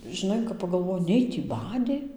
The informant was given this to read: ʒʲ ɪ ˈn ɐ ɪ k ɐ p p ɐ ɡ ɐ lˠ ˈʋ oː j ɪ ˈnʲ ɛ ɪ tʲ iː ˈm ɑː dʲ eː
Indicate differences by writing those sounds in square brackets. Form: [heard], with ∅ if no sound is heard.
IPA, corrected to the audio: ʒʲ ɪ ˈn ɐ ɪ k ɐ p p ɐ ɡ ɐ lˠ ˈʋ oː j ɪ ˈnʲ ɛ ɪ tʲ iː [ˈb] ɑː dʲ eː